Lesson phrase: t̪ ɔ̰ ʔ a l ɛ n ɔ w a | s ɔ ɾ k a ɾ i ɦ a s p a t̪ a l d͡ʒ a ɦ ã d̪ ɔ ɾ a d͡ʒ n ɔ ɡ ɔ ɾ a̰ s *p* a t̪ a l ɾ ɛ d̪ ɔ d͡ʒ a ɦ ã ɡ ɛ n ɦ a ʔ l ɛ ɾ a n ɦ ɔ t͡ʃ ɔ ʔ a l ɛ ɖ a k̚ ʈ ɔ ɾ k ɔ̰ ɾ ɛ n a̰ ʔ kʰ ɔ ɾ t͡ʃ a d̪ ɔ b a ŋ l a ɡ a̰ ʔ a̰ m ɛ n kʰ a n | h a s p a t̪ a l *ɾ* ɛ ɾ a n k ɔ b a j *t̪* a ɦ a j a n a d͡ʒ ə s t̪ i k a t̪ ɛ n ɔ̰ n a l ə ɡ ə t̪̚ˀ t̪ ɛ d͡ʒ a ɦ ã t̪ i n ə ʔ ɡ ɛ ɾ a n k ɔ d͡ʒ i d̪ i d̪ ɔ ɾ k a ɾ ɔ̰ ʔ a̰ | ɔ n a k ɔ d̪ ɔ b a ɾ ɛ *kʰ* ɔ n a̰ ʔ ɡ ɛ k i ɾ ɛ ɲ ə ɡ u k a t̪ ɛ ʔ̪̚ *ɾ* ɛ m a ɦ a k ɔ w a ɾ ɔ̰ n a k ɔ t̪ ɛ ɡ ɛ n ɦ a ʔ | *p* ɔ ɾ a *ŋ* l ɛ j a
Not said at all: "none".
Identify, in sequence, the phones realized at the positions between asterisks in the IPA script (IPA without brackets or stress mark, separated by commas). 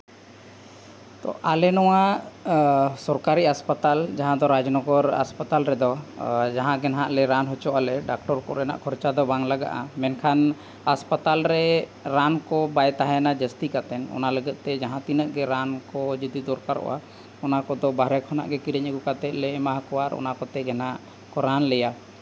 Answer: p, ɾ, t̪, kʰ, l, k, n